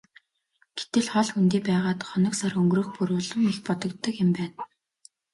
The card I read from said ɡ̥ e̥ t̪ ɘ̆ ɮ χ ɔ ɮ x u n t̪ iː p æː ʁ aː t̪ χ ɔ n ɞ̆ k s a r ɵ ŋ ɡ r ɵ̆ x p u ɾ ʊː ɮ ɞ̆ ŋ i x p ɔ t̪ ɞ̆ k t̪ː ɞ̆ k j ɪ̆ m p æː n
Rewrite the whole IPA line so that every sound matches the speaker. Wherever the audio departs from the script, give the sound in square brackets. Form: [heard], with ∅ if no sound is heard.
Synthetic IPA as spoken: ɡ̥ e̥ t̪ ɘ̆ ɮ χ ɔ ɮ x u n t̪ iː p æː ʁ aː t̪ χ ɔ n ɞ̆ k s a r ɵ ŋ ɡ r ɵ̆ x p u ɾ ʊː ɮ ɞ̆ ŋ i x p ɔ t̪ ɞ̆ k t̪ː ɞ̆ k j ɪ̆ m p æː n